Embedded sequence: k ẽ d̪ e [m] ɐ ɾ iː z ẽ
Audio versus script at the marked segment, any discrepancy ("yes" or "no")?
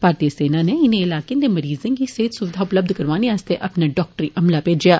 no